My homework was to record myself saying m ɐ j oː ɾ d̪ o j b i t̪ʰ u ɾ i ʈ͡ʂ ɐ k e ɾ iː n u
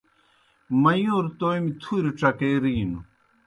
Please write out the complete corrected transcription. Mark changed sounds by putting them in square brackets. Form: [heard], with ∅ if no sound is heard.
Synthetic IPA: m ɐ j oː ɾ [t̪] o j [m] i t̪ʰ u ɾ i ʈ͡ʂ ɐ k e ɾ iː n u